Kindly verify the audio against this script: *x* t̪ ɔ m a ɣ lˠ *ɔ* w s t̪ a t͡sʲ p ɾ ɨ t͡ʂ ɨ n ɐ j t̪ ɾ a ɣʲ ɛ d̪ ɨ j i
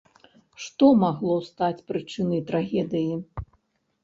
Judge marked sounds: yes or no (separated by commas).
no, yes